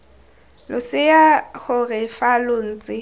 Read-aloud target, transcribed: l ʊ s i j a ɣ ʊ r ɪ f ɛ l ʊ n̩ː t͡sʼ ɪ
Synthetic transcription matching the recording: l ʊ s ɪ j a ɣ ʊ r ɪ f a l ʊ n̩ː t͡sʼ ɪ